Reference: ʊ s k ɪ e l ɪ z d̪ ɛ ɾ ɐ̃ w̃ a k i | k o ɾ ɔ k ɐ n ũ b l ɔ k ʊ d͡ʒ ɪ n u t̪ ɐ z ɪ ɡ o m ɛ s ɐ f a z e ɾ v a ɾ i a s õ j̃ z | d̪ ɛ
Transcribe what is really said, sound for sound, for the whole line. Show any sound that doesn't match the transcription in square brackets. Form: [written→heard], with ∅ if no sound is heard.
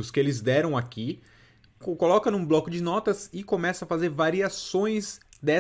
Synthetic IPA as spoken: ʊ s k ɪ e l ɪ z d̪ ɛ ɾ ɐ̃ w̃ a k i | k o [ɾ→l] ɔ k ɐ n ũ b l ɔ k ʊ d͡ʒ ɪ n [u→ɔ] t̪ ɐ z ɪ [ɡ→k] o m ɛ s ɐ f a z e ɾ v a ɾ i a s õ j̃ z | d̪ ɛ